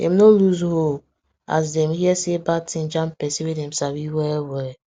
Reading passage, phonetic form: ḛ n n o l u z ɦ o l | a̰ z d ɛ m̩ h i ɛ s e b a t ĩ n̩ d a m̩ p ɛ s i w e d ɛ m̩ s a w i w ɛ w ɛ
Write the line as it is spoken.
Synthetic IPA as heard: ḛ m n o l u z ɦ o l | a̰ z d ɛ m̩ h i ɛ s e b a t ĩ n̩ d͡ʒ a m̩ p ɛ s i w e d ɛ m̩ s a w i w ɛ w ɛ